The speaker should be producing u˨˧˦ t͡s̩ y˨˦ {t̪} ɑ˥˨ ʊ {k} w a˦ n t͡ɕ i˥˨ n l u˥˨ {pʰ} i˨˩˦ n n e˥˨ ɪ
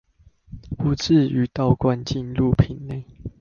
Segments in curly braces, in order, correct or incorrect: correct, correct, correct

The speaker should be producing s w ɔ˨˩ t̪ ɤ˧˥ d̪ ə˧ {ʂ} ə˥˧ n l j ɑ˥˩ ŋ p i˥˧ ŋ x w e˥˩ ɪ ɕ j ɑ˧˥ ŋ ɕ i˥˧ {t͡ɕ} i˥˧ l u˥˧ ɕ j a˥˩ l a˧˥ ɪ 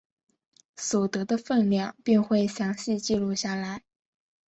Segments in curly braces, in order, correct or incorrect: incorrect: f, correct

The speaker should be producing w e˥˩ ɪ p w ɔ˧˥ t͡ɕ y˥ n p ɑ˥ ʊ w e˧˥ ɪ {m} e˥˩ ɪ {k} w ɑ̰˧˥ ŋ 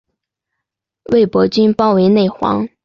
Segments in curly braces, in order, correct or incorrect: incorrect: n, incorrect: x

